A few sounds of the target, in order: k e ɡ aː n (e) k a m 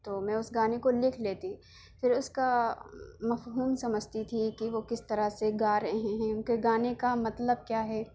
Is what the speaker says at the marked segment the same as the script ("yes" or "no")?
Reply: yes